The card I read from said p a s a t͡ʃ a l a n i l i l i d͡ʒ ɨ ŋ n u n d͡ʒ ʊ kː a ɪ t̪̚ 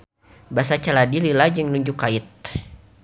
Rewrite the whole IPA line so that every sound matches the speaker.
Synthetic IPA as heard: b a s a t͡ʃ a l a d i l i l a d͡ʒ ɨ ŋ n u ɲ d͡ʒ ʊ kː a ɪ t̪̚